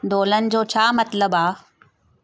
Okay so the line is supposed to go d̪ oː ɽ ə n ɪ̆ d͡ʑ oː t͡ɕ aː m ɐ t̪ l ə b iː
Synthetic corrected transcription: d̪ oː l ə n ɪ̆ d͡ʑ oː t͡ɕʰ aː m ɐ t̪ l ə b aː